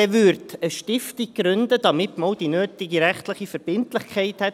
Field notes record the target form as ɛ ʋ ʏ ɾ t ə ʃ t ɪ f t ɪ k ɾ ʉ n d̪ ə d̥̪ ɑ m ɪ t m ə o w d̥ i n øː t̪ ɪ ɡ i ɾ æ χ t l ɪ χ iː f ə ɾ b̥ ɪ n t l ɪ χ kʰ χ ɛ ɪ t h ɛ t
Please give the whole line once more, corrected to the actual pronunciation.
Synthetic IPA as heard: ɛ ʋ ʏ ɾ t ə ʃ t ɪ f t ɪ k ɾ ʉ n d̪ ə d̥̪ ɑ m ɪ t m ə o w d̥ i n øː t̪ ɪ ɡ i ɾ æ χ t l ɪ χ i f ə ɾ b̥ ɪ n t l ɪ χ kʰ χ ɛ ɪ t h ɛ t